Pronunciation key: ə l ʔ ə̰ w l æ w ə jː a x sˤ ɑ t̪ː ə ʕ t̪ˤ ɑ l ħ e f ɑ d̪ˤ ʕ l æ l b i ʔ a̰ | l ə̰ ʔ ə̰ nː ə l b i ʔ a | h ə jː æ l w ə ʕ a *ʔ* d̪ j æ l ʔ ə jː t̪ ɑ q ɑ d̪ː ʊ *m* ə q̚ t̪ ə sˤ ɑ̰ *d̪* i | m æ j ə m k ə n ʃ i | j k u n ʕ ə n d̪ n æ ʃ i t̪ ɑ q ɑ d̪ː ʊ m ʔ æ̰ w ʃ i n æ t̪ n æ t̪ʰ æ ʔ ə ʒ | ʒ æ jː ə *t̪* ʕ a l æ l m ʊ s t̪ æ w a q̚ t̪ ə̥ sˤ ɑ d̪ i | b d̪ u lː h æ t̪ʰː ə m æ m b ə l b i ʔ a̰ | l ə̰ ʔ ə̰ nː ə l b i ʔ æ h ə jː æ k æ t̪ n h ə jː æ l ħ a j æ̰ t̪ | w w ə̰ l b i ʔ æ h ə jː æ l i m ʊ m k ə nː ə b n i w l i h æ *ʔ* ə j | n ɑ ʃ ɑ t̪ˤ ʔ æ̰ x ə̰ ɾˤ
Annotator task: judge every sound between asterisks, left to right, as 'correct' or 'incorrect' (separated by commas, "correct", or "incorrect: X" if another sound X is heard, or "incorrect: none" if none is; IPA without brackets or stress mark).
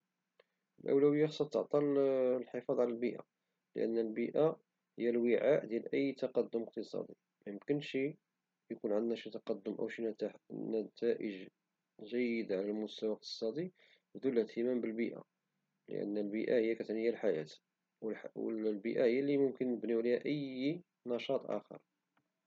correct, correct, correct, incorrect: d̪, correct